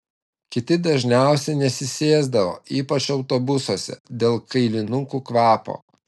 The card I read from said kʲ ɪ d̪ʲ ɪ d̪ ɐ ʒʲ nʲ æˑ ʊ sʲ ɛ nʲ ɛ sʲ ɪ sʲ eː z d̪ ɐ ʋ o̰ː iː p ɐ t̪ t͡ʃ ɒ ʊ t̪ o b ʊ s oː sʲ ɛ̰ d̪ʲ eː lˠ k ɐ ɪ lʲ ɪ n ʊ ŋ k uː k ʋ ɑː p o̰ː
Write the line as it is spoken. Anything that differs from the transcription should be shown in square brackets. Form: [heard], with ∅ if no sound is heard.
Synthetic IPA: kʲ ɪ [t̪ʲ] ɪ d̪ ɐ ʒʲ nʲ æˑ ʊ sʲ ɛ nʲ ɛ sʲ ɪ sʲ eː z d̪ ɐ ʋ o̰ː iː p ɐ [∅] t͡ʃ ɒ ʊ t̪ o b ʊ s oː sʲ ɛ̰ d̪ʲ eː lˠ k ɐ ɪ lʲ ɪ n ʊ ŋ k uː k ʋ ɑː p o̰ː